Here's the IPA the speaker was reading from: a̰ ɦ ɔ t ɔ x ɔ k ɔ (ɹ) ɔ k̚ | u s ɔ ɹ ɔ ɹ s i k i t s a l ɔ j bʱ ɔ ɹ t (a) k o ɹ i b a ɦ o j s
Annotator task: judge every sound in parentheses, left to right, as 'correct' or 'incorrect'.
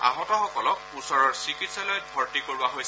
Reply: incorrect: l, incorrect: i

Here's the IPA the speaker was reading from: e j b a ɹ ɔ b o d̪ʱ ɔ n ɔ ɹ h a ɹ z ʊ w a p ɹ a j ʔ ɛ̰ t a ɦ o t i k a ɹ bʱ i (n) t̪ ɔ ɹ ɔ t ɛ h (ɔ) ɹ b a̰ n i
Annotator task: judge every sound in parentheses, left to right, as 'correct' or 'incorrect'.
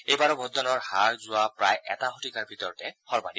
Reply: incorrect: none, correct

